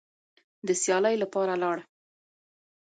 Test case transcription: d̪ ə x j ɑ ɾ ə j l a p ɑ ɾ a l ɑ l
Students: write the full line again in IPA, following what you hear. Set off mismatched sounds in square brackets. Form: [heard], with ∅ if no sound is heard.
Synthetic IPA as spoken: d̪ ə [s] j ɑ [l] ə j l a p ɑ ɾ a l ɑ [ɽ]

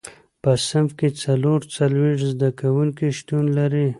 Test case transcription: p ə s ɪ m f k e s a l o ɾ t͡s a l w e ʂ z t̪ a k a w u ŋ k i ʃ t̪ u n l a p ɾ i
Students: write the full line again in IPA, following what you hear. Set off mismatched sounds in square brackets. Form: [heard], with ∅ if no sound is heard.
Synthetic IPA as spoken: p ə s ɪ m f k e [t͡s] a l o ɾ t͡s a l w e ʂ z [d̪] a k a w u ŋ k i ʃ t̪ u n l a [∅] ɾ i

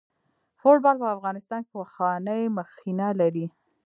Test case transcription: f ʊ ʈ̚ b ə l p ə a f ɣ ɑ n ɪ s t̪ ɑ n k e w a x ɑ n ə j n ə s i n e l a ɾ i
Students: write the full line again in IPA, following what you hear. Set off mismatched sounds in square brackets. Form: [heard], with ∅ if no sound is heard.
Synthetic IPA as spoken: f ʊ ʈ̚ b [ɑ] l p ə a f ɣ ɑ n ɪ s t̪ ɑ n k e w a x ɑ n ə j [m] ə [x] i n [a] l a ɾ i

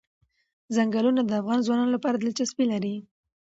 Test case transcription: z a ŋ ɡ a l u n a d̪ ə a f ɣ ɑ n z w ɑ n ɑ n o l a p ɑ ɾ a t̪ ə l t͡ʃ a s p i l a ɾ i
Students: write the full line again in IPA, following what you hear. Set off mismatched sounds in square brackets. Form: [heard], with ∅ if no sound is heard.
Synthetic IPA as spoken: z a ŋ ɡ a l u n a d̪ ə a f ɣ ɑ n z w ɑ n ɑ n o l a p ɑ ɾ a [d̪] ə l t͡ʃ a s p i l a ɾ i

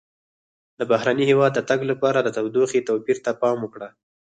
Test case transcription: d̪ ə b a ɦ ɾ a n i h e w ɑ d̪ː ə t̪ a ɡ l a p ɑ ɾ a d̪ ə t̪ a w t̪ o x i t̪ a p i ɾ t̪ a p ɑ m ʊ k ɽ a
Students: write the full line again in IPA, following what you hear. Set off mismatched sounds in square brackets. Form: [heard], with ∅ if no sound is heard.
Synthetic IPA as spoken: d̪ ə b a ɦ ɾ a n i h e w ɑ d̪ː ə t̪ a ɡ l a p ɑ ɾ a d̪ ə t̪ a w [d̪] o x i t̪ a p i ɾ t̪ a p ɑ m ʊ k ɽ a

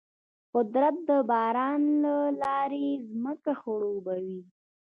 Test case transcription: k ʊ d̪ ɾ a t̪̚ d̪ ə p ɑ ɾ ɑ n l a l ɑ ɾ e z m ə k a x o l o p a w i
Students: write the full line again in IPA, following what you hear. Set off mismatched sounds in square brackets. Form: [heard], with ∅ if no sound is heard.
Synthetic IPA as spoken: [q] ʊ d̪ ɾ a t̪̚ d̪ ə [b] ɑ ɾ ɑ n l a l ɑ ɾ e z m ə k a x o [ɽ] o [b] a w i

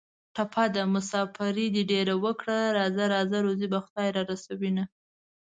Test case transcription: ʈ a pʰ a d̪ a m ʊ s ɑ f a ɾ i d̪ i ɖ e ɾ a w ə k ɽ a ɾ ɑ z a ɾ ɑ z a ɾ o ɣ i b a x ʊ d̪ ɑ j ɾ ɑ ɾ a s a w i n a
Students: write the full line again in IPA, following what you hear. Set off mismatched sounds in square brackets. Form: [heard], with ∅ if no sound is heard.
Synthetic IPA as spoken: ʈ a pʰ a d̪ a m ʊ s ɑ f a ɾ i d̪ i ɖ e ɾ a w ə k ɽ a ɾ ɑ z a ɾ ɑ z a ɾ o [z] i b a x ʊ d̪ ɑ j ɾ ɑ ɾ a s a w i n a

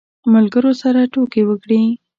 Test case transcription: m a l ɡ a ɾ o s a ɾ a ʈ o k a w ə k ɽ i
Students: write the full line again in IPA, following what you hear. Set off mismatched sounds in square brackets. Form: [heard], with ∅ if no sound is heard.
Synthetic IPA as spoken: m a l ɡ [ə] ɾ o s a ɾ a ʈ o k [e] w ə k ɽ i

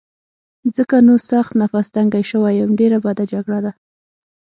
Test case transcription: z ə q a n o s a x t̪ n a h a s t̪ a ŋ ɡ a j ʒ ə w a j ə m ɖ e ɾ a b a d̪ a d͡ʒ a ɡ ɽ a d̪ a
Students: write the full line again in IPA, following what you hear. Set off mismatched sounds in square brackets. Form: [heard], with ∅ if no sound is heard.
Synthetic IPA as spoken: z ə [k] a n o s a x t̪ n a [f] a s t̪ a ŋ ɡ a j [ʃ] ə w a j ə m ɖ e ɾ a b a d̪ a d͡ʒ a ɡ ɽ a d̪ a

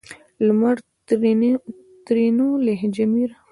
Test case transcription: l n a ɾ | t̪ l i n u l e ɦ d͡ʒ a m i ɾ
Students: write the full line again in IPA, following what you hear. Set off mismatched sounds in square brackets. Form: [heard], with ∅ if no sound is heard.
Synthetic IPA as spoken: l [m] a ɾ | t̪ [ɾ] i n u l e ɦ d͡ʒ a m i ɾ

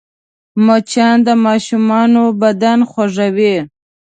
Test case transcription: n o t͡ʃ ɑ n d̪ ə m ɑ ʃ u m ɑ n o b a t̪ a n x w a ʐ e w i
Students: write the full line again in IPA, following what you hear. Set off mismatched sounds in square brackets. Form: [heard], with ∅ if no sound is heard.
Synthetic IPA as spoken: [m] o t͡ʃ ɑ n d̪ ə m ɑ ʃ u m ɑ n o b a [d̪] a n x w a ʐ [a] w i

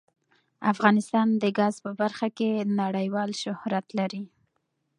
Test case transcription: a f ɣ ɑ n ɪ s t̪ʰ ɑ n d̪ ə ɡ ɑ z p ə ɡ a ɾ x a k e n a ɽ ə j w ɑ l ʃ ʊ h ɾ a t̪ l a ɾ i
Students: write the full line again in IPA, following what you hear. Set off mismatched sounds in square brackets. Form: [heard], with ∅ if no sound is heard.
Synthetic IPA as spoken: a f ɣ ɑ n ɪ s [t̪] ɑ n d̪ ə ɡ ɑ z p ə [b] a ɾ x a k e n a ɽ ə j w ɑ l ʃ ʊ h ɾ a t̪ l a ɾ i

